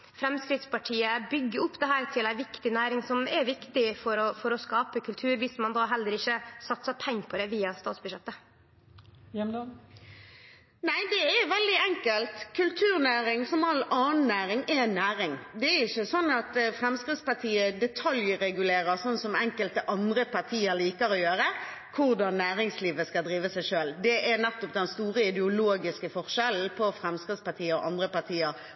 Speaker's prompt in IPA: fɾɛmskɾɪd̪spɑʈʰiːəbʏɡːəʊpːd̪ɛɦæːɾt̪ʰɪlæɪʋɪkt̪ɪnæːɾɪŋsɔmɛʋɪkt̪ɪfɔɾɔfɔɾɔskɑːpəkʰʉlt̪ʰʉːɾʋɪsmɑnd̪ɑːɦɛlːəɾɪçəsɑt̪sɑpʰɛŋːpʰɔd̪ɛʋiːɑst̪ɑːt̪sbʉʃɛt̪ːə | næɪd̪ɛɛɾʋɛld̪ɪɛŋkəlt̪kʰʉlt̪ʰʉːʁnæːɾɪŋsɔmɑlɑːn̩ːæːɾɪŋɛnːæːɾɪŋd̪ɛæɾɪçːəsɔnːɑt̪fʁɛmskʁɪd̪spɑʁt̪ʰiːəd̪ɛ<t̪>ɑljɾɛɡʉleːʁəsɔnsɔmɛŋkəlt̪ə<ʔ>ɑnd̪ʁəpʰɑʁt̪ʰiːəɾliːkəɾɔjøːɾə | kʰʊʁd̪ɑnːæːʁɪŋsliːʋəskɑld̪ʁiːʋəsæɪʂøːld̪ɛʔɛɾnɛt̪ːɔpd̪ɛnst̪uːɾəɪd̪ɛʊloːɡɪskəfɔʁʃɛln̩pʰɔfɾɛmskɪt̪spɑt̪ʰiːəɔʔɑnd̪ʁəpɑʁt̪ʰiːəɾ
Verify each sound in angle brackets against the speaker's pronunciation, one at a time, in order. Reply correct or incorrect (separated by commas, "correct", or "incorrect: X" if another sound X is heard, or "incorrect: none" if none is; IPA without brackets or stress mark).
incorrect: t̪ʰ, correct